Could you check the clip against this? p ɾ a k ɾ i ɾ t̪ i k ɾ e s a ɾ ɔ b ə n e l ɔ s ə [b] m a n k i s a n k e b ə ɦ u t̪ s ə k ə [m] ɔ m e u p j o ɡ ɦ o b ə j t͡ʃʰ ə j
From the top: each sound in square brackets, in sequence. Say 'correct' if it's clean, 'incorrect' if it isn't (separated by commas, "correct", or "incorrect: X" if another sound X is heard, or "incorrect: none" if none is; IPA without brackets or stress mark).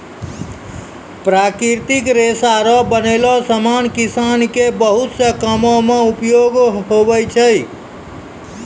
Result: incorrect: none, correct